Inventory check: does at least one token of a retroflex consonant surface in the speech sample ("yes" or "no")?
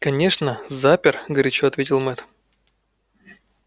yes